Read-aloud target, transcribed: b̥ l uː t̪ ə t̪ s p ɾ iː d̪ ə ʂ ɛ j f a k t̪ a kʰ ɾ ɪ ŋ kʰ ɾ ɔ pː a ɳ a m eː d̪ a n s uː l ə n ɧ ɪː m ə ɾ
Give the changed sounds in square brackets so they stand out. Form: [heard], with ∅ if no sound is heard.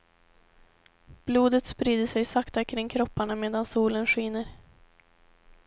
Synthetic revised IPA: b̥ l uː [d̪] ə t̪ s p ɾ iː d̪ ə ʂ ɛ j [s] a k t̪ a kʰ ɾ ɪ ŋ kʰ ɾ ɔ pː a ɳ a m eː d̪ a n s uː l ə n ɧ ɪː [n] ə ɾ